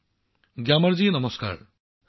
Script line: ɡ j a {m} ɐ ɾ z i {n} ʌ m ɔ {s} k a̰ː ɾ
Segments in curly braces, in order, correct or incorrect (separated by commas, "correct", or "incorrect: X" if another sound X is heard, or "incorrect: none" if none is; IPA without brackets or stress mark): correct, correct, correct